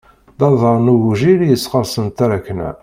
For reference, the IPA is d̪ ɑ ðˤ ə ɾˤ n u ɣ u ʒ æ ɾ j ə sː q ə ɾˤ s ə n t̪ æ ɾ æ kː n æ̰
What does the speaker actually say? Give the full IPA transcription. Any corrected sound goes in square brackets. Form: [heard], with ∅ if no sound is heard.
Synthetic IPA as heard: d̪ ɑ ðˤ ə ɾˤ n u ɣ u ʒ [i] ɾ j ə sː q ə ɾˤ s ə n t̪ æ ɾ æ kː n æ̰